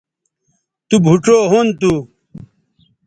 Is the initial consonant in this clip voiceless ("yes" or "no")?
yes